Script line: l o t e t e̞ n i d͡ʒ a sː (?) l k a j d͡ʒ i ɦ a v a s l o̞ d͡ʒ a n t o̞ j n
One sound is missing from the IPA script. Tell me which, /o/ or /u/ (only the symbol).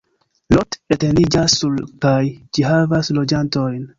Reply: u